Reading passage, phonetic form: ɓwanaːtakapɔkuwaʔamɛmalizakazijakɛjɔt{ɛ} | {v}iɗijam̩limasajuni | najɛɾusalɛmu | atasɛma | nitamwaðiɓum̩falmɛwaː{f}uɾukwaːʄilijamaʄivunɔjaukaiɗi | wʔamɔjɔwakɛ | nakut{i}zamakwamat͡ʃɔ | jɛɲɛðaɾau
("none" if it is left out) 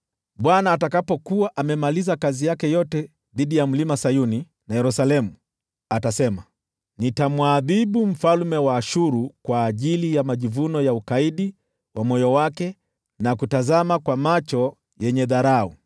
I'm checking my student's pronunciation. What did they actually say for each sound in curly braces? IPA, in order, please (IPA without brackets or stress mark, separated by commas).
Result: ɛ, ð, ʃ, a